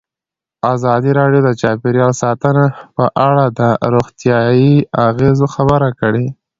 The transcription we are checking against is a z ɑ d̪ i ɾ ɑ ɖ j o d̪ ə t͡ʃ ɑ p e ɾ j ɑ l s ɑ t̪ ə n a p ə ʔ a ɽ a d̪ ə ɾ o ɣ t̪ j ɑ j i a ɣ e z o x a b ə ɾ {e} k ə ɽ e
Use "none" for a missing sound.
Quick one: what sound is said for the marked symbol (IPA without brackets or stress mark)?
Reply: a